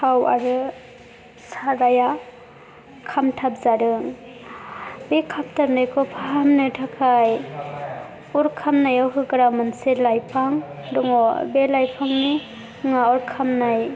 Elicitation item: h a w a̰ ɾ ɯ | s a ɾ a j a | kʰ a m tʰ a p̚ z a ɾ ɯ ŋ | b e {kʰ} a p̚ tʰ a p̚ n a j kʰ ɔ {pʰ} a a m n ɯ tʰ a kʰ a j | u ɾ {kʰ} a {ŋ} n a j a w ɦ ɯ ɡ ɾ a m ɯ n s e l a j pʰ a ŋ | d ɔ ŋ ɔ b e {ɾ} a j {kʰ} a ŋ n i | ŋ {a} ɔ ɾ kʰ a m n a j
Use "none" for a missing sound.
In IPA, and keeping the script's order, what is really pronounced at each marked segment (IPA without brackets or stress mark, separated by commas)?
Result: kʰ, pʰ, kʰ, m, l, pʰ, a